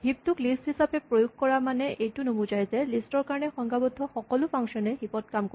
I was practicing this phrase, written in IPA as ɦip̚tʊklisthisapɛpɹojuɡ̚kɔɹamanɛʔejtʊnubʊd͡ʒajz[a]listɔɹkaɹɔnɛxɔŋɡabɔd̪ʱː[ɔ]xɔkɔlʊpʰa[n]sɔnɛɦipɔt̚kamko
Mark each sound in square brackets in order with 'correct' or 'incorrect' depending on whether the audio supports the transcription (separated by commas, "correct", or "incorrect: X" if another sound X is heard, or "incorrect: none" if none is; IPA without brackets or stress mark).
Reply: incorrect: ɛ, correct, incorrect: ŋ